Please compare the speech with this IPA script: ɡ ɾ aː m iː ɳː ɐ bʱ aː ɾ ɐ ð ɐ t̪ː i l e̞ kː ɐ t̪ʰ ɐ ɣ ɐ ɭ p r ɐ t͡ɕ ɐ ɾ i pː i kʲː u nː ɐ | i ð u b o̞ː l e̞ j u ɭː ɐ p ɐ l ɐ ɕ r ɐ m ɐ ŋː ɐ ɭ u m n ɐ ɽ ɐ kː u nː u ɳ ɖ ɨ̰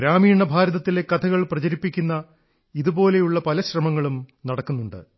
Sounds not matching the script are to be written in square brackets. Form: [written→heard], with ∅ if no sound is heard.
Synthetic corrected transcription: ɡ ɾ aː m iː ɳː ɐ bʱ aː ɾ ɐ ð ɐ t̪ː i l e̞ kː ɐ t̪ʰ ɐ ɣ ɐ ɭ p r ɐ t͡ɕ ɐ ɾ i pː i kʲː u nː ɐ | i ð u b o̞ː l e̞ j u ɭː ɐ p ɐ l ɐ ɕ r ɐ m ɐ ŋː ɐ ɭ u m n ɐ ɽ ɐ kː u nː u ɳ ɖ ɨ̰